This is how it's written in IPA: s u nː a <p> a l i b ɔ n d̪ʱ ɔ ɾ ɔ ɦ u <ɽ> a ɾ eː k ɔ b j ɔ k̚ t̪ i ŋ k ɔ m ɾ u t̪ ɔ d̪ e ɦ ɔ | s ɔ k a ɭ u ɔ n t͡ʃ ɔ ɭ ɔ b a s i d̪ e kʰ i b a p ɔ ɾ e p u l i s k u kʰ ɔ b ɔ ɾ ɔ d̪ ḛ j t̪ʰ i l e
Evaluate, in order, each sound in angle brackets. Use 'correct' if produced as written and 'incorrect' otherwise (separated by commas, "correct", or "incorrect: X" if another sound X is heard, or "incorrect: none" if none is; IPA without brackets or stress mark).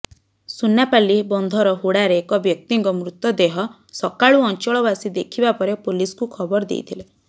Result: correct, correct